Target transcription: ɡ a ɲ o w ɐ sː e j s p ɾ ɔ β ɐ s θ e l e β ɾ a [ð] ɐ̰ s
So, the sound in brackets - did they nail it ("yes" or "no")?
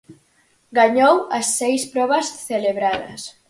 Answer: yes